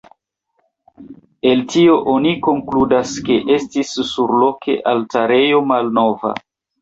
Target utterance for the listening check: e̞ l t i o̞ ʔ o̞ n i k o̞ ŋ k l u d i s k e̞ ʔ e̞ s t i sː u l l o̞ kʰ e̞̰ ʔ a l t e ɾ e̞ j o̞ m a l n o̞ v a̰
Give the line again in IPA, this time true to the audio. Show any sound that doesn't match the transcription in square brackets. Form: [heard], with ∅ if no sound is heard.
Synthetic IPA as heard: e̞ l t i o̞ ʔ o̞ n i k o̞ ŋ k l u d [a] s k e̞ ʔ e̞ s t i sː u [ɾ] l o̞ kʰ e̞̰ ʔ a l t [a] ɾ e̞ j o̞ m a l n o̞ v a̰